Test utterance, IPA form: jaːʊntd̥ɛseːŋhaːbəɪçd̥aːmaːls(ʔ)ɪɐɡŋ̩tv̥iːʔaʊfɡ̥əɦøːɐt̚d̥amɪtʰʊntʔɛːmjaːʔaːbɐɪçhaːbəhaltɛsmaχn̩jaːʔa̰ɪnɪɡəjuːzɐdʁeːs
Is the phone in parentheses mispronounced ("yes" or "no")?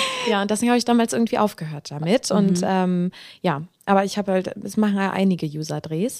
no